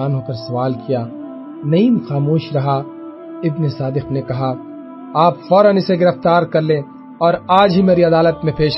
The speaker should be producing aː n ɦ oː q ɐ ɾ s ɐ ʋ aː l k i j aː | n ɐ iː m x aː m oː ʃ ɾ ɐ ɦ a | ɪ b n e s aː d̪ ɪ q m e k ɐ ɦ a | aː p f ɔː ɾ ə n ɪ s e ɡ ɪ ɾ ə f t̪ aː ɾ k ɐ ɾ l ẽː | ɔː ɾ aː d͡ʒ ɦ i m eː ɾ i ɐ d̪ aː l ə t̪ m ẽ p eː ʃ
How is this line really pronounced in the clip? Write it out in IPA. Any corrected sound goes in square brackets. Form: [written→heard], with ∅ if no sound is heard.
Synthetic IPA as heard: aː n ɦ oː [q→k] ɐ ɾ s ɐ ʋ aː l k i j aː | n ɐ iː m x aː m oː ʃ ɾ ɐ ɦ a | ɪ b n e s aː d̪ ɪ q [m→n] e k ɐ ɦ a | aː p f ɔː ɾ ə n ɪ s e ɡ ɪ ɾ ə f t̪ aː ɾ k ɐ ɾ l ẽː | ɔː ɾ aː d͡ʒ ɦ i m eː ɾ i ɐ d̪ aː l ə t̪ m ẽ p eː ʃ